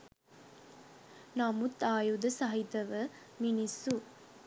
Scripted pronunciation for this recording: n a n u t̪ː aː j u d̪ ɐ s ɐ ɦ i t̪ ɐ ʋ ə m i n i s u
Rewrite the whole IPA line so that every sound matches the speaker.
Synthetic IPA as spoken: n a m u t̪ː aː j u d̪ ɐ s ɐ ɦ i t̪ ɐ ʋ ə m i n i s u